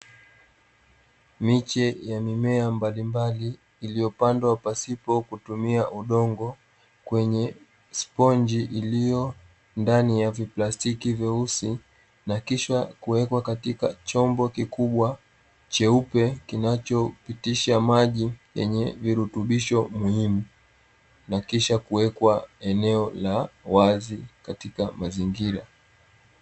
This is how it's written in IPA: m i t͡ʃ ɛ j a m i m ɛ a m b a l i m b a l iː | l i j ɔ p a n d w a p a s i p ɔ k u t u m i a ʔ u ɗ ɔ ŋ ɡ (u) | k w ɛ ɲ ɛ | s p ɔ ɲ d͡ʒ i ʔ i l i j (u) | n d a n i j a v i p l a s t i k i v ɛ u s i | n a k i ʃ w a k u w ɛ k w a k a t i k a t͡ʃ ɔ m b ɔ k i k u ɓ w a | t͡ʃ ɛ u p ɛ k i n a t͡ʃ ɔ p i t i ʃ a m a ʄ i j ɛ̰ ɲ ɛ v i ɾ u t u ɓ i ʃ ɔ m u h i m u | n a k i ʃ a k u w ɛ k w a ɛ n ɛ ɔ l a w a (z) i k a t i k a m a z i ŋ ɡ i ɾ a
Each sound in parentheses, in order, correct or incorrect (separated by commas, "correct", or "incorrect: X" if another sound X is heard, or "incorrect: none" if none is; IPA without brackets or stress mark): incorrect: ɔ, incorrect: ɔ, correct